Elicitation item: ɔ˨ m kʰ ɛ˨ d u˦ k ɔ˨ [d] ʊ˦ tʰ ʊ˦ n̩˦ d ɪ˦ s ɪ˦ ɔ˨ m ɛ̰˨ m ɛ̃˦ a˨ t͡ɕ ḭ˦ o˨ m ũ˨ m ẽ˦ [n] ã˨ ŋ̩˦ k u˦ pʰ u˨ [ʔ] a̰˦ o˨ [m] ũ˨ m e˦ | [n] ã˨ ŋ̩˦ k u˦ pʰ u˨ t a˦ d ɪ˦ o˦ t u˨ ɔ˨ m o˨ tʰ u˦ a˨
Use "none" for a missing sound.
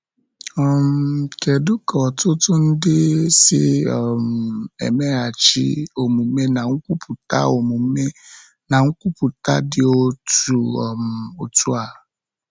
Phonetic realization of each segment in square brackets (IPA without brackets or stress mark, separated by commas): t, n, t, m, n